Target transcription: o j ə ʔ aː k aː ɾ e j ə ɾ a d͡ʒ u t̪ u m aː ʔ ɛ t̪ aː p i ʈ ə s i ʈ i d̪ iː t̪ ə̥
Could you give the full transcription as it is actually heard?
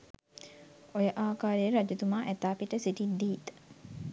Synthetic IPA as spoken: o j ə ʔ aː k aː ɾ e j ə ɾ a d͡ʒ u t̪ u m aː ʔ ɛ t̪ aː p i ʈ ə s i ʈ i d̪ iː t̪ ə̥